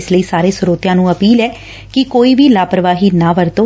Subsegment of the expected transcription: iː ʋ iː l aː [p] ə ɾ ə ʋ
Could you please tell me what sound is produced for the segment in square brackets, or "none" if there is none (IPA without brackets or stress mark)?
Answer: p